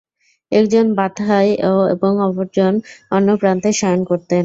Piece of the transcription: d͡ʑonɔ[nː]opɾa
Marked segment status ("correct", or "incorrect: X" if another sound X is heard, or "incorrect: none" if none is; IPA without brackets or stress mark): correct